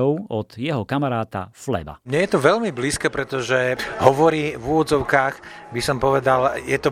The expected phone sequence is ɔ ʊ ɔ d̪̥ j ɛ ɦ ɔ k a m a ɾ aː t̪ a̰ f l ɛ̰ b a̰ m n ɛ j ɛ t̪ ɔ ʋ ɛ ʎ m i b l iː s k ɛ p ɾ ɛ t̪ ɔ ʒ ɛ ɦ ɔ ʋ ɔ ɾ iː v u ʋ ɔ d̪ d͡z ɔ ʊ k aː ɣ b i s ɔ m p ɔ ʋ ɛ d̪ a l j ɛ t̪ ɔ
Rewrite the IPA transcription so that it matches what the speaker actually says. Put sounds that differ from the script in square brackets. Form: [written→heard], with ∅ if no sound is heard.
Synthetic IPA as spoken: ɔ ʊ ɔ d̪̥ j ɛ ɦ ɔ k a m a ɾ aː t̪ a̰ f l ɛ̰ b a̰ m [n→ɲ] ɛ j ɛ t̪ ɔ ʋ ɛ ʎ m i b l iː s k ɛ p ɾ ɛ t̪ ɔ ʒ ɛ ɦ ɔ ʋ ɔ ɾ iː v u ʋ ɔ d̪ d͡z ɔ ʊ k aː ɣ b i s ɔ m p ɔ ʋ ɛ d̪ a l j ɛ t̪ ɔ